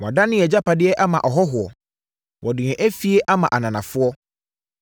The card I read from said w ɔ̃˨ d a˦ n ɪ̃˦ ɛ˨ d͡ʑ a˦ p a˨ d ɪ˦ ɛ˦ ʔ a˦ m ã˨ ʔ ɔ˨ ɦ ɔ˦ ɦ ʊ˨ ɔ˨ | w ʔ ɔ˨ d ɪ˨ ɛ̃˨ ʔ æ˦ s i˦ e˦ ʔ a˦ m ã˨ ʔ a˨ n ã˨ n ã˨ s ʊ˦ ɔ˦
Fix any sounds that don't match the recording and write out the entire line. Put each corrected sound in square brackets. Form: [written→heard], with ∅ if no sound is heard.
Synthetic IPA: w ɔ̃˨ d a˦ n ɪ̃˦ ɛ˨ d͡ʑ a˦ p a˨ d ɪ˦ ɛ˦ ʔ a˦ m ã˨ ʔ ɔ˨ ɦ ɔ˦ ɦ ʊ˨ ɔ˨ | w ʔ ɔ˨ d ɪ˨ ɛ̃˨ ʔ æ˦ [s→f] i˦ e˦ ʔ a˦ m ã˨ ʔ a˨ n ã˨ n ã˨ [s→f] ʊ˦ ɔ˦

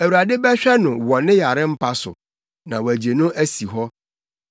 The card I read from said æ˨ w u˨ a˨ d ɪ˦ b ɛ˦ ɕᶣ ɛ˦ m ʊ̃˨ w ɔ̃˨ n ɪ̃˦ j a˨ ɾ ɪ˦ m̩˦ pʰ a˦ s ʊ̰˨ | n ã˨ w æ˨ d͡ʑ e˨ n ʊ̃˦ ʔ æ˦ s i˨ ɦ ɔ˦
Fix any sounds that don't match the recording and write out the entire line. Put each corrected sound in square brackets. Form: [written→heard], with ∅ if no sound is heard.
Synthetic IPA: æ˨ w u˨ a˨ d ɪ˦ b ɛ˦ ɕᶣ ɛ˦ [m→n] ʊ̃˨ w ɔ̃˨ n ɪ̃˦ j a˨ ɾ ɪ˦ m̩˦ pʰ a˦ s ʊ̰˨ | n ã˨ w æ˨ d͡ʑ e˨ n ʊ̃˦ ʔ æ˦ s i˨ ɦ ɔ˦

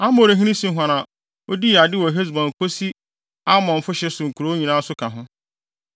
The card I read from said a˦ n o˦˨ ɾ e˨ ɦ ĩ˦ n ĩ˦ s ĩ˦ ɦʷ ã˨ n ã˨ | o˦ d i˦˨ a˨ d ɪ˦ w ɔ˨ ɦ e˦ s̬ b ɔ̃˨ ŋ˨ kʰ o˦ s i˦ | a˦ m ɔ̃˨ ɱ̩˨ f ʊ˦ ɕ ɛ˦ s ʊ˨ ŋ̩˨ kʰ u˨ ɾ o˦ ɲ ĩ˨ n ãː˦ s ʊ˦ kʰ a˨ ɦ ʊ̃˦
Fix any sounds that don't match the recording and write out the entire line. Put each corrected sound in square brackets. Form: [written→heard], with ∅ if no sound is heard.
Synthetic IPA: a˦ [n→m] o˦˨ ɾ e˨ ɦ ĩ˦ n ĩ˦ s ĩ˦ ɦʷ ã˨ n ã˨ | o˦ d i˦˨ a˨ d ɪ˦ w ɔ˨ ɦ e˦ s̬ b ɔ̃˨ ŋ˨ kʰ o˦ s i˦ | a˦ m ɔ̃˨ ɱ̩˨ f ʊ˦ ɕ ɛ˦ s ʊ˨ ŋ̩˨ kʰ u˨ ɾ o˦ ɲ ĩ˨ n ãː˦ s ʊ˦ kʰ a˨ ɦ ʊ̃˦

